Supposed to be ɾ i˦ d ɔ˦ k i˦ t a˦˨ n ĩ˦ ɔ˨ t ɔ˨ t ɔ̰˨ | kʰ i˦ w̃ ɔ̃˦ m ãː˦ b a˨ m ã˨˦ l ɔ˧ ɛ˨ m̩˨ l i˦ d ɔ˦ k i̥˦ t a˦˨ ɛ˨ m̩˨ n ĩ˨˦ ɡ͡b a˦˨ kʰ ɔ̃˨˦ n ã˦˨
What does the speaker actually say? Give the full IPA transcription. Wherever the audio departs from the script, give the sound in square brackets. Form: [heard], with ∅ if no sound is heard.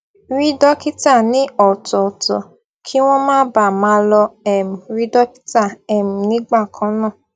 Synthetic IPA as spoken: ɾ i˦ d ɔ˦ k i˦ t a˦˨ n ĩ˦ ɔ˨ t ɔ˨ t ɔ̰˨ | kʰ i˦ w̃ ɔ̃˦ m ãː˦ b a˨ m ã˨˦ l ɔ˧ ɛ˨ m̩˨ [ɾ] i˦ d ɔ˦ k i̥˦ t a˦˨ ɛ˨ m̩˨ n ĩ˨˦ ɡ͡b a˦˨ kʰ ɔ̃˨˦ n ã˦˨